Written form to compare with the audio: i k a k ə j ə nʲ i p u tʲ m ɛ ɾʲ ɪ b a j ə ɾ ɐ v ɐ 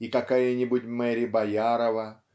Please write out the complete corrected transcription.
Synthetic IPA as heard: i k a k a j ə nʲ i b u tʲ m ɛ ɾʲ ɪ b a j a ɾ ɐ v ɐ